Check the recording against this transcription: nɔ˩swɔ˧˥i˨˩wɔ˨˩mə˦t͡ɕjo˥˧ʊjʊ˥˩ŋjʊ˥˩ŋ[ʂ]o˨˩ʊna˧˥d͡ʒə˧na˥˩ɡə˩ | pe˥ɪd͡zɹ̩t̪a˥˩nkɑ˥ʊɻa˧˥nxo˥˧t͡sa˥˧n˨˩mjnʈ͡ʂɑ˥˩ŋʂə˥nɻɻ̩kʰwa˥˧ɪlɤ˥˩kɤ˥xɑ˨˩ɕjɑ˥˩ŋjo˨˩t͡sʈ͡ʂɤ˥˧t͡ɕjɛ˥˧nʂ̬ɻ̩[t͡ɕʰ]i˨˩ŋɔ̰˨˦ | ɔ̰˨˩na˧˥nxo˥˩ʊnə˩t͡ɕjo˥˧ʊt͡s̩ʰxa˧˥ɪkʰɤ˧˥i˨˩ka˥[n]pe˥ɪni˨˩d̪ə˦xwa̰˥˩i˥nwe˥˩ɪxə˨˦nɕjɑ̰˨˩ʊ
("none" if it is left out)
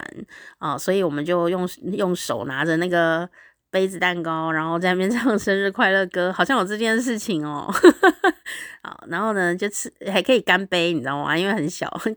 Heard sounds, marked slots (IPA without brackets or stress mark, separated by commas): ʂ, t͡ɕʰ, n